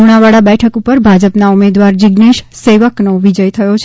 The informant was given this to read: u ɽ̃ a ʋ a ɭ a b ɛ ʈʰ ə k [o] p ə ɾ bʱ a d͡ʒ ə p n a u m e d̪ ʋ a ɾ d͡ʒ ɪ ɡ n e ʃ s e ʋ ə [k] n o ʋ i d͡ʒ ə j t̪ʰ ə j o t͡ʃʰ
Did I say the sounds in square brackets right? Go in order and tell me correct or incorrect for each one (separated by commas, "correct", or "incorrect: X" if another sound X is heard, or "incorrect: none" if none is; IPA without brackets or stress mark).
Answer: incorrect: u, correct